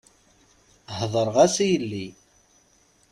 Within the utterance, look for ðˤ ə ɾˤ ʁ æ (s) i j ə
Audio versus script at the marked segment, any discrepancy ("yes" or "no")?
no